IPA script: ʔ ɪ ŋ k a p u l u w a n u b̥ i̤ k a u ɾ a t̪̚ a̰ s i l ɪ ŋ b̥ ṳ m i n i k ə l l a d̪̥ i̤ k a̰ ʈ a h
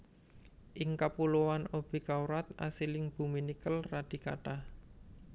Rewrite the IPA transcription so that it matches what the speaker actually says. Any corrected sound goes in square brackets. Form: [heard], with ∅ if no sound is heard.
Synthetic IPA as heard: ʔ ɪ ŋ k a p u l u w a n [o] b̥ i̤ k a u ɾ a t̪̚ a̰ s i l ɪ ŋ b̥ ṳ m i n i k ə l [r] a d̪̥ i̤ k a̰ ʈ a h